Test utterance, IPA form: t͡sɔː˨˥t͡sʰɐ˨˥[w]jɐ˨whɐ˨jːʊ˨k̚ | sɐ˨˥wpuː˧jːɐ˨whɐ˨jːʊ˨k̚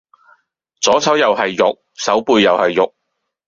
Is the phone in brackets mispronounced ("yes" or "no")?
no